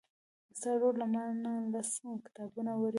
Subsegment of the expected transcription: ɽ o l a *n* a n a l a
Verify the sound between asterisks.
incorrect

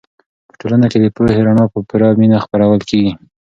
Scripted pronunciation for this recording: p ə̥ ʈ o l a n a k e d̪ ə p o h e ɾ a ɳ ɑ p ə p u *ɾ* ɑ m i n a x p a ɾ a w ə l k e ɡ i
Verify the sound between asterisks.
correct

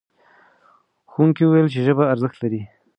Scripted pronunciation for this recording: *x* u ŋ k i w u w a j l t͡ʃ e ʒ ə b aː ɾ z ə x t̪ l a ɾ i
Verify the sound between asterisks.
correct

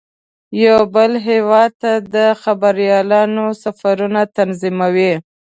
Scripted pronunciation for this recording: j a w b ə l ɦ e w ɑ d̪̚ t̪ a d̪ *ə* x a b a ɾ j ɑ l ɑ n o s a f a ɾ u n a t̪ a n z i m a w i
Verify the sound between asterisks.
correct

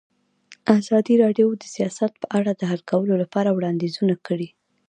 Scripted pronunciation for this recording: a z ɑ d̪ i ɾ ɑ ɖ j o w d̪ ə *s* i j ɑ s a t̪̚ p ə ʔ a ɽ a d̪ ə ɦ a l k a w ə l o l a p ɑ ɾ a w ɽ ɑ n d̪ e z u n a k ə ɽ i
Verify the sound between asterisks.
correct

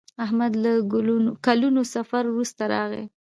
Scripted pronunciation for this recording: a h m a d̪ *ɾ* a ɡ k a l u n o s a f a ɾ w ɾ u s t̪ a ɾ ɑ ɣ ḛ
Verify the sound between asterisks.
incorrect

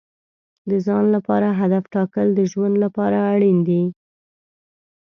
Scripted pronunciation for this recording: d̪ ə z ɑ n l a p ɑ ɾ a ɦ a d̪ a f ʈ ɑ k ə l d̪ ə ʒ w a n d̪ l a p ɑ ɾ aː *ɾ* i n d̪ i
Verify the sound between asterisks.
incorrect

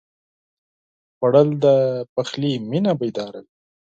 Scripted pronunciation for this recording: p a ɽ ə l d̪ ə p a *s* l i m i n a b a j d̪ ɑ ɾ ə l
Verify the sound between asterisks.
incorrect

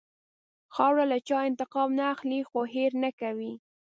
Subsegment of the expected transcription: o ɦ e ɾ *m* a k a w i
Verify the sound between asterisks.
incorrect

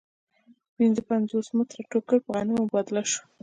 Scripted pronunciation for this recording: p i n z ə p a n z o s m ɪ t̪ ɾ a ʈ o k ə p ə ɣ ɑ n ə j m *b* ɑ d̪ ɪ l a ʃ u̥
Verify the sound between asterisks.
correct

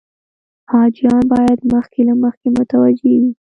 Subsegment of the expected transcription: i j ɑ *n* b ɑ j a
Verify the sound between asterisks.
correct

